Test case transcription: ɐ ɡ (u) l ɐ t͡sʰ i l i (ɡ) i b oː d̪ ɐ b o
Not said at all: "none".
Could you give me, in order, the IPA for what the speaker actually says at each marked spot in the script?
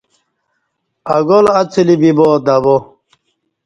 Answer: o, b

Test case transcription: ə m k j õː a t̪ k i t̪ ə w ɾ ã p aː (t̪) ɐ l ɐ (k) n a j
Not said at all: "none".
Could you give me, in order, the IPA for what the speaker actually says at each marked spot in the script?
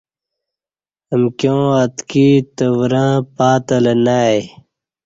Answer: t̪, none

